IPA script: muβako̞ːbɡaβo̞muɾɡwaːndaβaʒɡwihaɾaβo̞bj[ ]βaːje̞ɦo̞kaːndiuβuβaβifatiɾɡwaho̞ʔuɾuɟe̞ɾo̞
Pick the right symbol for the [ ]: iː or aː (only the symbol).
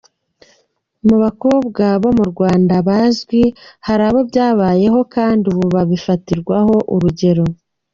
aː